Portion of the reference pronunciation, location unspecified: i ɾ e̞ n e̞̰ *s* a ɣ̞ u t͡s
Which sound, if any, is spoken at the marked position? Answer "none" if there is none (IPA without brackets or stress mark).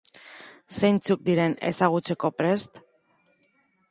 s